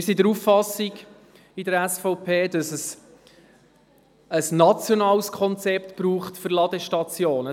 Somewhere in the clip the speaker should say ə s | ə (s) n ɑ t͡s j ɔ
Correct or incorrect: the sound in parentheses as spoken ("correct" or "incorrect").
correct